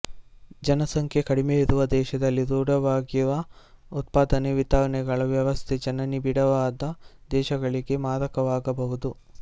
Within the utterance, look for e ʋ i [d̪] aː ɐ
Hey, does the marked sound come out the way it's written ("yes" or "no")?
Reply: no